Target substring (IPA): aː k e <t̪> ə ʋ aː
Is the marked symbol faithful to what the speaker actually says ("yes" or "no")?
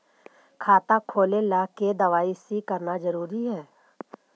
no